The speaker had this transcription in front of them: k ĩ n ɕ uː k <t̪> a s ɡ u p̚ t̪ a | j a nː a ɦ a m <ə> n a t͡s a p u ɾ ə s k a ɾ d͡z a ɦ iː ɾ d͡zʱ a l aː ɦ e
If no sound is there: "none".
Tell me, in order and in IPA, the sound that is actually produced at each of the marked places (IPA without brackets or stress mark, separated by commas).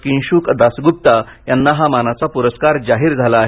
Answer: d̪, a